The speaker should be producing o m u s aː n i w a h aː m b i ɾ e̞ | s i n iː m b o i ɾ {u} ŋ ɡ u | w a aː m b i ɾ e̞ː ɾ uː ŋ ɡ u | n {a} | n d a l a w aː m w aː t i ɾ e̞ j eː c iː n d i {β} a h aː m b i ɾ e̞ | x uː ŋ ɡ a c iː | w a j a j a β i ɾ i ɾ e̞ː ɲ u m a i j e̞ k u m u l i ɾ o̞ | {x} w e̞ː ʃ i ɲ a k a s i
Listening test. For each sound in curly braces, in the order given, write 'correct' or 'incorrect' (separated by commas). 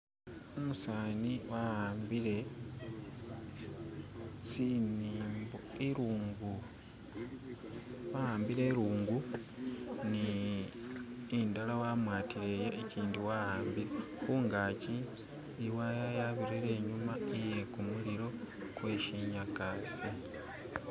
incorrect, incorrect, incorrect, incorrect